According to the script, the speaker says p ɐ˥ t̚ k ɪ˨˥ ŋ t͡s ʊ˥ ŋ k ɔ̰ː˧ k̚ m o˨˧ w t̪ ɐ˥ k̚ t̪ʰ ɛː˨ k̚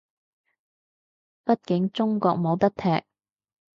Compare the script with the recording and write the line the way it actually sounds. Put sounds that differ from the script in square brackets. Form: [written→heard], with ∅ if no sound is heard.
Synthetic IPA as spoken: p ɐ˥ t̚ k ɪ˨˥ ŋ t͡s ʊ˥ ŋ k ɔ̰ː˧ k̚ m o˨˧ w t̪ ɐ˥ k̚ t̪ʰ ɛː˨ k̚